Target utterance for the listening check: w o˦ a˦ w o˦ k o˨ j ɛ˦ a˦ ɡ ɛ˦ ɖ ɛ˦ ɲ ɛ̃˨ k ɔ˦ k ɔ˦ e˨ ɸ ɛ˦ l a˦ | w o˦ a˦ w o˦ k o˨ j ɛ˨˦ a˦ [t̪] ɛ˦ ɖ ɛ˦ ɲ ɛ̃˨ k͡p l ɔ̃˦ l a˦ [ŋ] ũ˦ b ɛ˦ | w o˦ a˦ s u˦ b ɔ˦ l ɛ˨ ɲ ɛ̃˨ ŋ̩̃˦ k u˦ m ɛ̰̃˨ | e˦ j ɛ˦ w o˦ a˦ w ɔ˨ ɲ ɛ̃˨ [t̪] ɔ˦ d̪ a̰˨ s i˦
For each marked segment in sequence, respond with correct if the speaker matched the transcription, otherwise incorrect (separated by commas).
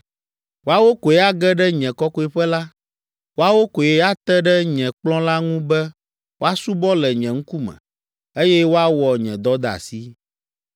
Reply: correct, correct, incorrect